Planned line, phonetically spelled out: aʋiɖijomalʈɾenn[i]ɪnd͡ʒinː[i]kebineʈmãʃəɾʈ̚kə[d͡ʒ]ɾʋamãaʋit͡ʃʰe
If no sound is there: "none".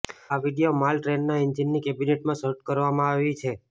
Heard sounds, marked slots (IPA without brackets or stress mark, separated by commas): a, i, none